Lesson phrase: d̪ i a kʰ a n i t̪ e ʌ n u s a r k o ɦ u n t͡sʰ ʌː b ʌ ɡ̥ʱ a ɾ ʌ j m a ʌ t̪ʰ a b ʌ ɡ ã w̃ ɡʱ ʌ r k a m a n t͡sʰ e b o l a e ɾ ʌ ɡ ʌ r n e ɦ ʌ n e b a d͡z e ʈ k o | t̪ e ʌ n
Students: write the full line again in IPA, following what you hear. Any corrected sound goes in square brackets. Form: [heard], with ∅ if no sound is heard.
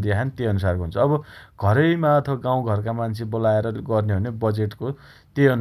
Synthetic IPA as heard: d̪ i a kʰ a n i t̪ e ʌ n u s a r k o ɦ u n t͡sʰ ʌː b ʌ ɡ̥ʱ [ʌ] ɾ ʌ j m a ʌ t̪ʰ [ʌ] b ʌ ɡ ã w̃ ɡʱ ʌ r k a m a n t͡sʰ e b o l a e ɾ ʌ ɡ ʌ r n e ɦ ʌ n e b [ʌ] d͡z e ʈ k o | t̪ e ʌ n